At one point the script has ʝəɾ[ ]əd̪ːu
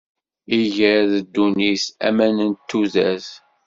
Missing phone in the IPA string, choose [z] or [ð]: ð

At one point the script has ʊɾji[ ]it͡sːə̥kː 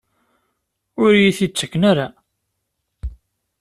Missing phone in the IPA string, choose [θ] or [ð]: θ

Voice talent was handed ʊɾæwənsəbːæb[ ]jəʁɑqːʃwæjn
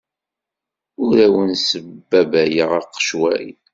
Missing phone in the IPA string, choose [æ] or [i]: æ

